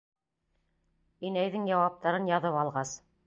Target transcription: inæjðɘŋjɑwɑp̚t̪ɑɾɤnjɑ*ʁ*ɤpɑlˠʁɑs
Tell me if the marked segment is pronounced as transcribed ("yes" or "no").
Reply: no